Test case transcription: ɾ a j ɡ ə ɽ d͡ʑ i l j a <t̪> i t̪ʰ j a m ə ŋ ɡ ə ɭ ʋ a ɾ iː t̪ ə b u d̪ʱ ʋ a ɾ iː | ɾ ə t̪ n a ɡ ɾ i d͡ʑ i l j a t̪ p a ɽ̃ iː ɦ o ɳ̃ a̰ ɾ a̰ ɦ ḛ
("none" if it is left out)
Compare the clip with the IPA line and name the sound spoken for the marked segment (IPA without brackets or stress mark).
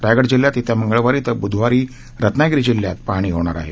t̪